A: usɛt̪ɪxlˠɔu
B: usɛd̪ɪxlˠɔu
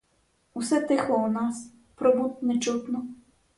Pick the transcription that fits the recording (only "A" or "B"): A